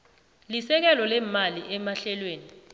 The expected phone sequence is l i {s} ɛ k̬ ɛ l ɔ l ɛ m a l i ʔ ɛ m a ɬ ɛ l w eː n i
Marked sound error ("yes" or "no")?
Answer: no